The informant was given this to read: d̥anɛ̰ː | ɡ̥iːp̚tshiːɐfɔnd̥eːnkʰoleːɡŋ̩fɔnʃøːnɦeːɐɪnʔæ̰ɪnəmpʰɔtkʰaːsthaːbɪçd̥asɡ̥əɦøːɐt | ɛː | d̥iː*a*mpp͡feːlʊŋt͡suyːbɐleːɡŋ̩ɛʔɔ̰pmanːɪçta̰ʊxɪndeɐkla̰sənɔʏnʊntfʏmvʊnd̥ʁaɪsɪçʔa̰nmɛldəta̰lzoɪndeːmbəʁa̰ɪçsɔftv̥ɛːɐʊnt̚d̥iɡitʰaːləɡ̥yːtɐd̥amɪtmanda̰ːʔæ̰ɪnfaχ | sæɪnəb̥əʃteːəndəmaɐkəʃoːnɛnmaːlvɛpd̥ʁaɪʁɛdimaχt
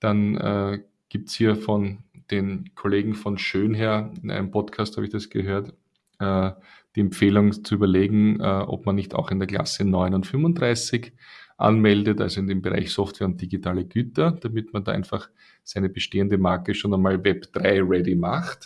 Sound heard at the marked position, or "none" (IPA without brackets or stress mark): ɛ